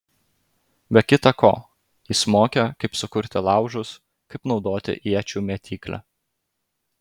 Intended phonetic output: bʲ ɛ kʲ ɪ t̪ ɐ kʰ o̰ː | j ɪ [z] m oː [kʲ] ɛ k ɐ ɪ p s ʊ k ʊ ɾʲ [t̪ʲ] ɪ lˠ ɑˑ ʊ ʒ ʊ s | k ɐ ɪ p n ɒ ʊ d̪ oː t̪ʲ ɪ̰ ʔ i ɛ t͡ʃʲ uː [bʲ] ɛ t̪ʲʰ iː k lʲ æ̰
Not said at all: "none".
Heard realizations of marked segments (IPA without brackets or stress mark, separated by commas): s, kʲ, t̪ʲ, mʲ